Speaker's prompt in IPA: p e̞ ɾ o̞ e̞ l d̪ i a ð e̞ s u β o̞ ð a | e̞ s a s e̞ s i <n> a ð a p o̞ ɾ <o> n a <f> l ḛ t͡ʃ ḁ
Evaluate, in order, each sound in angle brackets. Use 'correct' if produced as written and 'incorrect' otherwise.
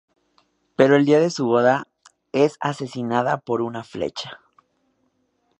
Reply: correct, incorrect: u, correct

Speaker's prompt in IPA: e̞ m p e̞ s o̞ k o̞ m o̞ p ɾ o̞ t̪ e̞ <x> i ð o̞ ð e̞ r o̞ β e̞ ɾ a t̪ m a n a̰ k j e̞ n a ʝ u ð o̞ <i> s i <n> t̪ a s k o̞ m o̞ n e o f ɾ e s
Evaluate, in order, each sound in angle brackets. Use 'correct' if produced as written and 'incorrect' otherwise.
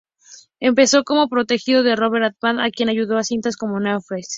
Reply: correct, incorrect: a, correct

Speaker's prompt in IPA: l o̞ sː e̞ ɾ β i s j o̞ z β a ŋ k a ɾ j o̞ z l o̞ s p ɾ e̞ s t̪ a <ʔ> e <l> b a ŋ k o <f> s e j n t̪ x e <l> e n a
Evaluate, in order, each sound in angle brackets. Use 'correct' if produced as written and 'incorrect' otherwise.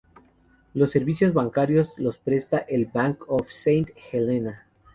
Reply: correct, correct, correct, correct

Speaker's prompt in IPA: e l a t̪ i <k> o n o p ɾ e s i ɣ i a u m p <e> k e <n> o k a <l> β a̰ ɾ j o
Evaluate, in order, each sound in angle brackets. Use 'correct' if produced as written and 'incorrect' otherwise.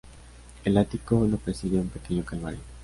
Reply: correct, correct, incorrect: ɲ, correct

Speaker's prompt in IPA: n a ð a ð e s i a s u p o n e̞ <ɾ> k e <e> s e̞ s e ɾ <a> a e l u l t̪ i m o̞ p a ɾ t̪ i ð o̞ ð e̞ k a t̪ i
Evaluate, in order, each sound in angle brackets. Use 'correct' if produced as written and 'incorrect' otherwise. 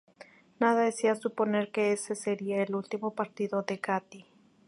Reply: correct, correct, incorrect: i

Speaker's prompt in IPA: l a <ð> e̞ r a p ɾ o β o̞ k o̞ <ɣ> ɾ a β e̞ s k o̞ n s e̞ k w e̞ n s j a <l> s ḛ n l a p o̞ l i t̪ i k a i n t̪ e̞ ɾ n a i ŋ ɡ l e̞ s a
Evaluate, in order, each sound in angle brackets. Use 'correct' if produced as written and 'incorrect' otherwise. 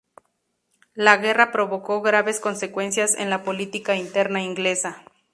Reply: incorrect: ɣ, correct, incorrect: none

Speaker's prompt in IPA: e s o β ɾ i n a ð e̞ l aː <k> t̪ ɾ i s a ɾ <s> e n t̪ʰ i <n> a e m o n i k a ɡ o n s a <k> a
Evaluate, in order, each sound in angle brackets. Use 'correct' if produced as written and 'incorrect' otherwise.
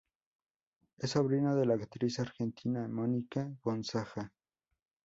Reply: correct, incorrect: x, correct, incorrect: x

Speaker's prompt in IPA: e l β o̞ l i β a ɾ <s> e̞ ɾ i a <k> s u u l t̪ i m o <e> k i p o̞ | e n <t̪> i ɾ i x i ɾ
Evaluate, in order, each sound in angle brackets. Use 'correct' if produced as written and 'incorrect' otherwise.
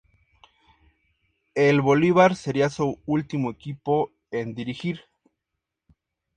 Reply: correct, incorrect: none, correct, incorrect: d̪

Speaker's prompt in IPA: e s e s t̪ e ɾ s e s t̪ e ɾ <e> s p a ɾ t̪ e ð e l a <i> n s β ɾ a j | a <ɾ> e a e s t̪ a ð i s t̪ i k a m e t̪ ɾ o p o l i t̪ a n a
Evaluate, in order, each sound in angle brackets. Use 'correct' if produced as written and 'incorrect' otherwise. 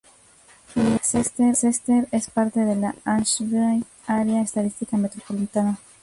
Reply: correct, incorrect: a, correct

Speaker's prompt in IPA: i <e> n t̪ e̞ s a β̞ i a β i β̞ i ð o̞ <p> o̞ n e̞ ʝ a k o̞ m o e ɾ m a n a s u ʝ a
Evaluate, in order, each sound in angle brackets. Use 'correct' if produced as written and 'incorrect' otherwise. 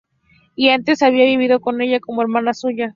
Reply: incorrect: a, incorrect: k

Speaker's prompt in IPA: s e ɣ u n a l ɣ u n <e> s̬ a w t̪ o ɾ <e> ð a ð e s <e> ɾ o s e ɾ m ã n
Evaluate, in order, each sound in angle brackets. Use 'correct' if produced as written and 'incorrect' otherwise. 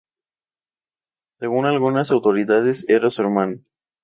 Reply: incorrect: a, incorrect: i, correct

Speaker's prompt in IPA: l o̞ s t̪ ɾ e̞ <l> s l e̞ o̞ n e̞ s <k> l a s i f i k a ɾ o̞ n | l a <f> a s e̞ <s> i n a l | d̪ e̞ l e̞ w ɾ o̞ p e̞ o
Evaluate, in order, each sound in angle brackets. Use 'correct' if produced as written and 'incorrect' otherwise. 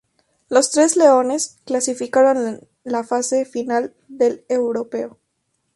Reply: incorrect: none, correct, correct, incorrect: f

